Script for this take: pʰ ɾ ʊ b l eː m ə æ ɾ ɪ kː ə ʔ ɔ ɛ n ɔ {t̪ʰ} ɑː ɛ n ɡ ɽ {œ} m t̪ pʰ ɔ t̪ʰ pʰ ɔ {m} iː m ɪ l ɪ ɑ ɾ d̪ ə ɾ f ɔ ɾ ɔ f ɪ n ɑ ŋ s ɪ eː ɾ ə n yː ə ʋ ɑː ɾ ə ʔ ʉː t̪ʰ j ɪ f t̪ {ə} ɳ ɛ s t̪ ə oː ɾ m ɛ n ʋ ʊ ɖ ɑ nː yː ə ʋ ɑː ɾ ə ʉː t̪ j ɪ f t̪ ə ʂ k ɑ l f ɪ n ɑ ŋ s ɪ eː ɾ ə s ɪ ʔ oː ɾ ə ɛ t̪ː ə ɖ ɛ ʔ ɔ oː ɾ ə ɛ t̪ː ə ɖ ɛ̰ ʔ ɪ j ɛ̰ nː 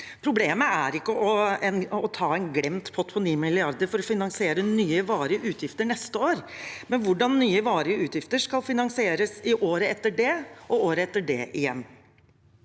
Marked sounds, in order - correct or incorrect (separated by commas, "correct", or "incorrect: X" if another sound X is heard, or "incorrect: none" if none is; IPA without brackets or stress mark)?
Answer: correct, incorrect: ɛ, incorrect: n, correct